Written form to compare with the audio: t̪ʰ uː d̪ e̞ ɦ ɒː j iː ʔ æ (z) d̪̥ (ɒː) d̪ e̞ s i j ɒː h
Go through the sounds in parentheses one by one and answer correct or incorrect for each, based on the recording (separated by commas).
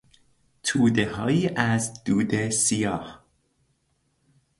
correct, incorrect